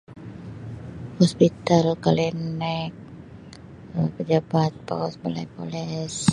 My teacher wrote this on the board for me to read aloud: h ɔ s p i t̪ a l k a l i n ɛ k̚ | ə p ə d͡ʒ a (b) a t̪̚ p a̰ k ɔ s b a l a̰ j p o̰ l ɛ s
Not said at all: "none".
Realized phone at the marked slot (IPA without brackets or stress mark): b